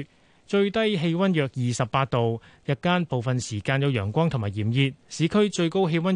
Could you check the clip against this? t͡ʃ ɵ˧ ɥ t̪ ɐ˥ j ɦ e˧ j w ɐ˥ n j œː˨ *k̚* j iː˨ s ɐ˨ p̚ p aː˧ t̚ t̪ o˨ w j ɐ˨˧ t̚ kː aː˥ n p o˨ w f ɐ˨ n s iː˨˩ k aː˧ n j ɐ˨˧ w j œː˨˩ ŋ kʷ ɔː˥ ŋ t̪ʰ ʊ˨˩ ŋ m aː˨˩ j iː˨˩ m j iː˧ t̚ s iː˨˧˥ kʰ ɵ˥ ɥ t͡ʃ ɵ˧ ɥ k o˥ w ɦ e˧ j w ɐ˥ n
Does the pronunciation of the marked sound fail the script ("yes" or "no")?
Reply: no